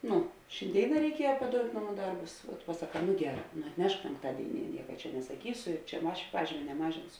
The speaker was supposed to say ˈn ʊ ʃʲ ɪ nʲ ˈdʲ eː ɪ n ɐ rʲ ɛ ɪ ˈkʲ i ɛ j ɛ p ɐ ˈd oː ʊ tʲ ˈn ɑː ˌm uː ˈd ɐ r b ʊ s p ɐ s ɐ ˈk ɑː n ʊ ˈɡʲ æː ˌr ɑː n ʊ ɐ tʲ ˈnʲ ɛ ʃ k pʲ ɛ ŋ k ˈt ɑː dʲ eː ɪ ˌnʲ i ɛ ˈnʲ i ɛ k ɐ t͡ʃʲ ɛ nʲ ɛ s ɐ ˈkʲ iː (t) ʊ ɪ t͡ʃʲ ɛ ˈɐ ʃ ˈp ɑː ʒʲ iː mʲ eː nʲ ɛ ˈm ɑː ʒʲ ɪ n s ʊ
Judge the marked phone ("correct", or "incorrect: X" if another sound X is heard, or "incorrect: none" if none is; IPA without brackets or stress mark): incorrect: s